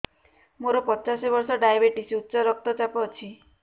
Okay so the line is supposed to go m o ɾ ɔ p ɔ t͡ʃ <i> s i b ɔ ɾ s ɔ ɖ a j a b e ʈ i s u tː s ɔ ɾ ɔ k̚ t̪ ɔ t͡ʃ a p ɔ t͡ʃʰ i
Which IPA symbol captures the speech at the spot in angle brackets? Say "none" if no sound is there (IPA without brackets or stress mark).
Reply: a